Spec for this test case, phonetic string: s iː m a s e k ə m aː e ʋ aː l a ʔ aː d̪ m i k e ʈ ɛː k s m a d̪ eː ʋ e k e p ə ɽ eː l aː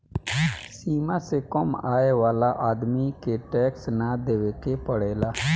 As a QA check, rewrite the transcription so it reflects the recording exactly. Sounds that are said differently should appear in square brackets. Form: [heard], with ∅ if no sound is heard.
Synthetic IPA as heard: s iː m a s e k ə m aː e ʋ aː l a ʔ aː d̪ m i k e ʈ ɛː k s [n] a d̪ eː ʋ e k e p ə ɽ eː l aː